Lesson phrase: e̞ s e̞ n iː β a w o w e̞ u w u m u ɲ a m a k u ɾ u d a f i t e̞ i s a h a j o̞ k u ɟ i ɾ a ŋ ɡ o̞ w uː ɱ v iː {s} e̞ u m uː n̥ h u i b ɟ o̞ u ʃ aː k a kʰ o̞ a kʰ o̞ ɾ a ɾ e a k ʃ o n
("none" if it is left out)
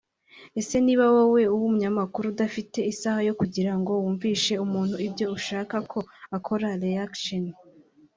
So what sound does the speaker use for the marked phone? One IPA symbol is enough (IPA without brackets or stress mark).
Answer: ʃ